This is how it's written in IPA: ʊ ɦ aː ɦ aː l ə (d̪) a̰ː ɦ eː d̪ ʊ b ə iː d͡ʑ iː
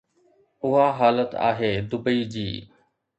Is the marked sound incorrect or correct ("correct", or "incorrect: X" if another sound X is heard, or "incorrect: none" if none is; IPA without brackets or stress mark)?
incorrect: t̪